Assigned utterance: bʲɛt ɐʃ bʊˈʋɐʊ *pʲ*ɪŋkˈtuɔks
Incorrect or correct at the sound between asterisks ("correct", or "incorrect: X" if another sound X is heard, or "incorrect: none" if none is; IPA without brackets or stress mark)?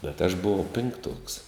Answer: correct